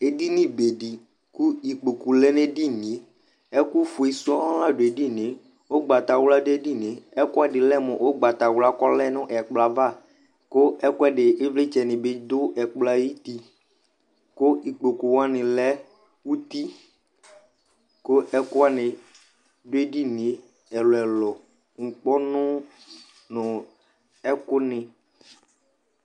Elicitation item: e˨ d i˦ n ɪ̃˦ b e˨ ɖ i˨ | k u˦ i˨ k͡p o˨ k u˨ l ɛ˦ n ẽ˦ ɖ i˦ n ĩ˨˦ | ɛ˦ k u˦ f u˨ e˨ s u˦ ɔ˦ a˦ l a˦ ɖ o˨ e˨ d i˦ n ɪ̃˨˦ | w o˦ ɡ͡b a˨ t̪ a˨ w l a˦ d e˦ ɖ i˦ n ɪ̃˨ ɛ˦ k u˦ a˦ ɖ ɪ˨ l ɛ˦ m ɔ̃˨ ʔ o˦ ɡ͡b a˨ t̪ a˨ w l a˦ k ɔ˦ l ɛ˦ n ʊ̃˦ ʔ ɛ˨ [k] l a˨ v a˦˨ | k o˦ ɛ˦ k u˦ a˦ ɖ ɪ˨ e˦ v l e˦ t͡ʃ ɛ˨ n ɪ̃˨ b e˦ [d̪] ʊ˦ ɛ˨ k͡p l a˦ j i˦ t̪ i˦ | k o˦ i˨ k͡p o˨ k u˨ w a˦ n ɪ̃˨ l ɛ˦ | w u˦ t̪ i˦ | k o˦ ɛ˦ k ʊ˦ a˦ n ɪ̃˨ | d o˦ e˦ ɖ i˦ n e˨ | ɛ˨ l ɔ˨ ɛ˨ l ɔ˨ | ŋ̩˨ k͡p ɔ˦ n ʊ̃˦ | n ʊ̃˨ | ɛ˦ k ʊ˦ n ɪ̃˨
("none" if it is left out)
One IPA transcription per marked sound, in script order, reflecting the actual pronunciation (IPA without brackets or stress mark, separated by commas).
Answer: k͡p, d̪